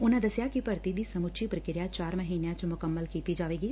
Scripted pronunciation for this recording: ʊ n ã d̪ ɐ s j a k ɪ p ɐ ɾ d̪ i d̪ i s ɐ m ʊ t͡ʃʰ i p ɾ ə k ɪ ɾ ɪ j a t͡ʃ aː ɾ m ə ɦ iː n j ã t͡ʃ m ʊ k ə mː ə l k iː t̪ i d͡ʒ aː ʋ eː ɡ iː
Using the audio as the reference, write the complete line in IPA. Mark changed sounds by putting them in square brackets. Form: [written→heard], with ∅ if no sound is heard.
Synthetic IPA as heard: ʊ n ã d̪ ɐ s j a k [ɪ→i] p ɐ ɾ [d̪→t̪] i d̪ i s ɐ m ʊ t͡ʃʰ i p ɾ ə k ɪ ɾ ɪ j a t͡ʃ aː ɾ m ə ɦ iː n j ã t͡ʃ m ʊ k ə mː ə l k iː t̪ i d͡ʒ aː ʋ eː ɡ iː